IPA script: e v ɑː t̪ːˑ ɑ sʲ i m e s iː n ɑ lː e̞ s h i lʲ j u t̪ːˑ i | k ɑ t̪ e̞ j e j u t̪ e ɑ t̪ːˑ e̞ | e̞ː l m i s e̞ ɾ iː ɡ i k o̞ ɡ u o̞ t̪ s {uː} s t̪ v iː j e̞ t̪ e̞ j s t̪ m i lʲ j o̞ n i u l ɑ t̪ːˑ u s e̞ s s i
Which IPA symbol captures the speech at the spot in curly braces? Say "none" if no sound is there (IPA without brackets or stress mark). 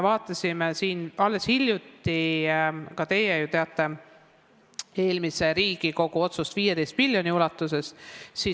u